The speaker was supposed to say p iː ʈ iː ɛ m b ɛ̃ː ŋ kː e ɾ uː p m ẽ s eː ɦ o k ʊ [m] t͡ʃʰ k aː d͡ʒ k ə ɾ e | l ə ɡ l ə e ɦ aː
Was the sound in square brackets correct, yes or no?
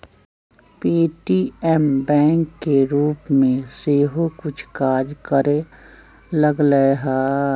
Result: no